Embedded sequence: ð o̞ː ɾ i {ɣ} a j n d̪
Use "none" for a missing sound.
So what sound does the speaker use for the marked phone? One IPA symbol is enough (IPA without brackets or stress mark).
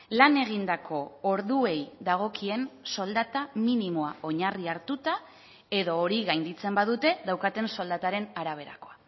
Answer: ɣ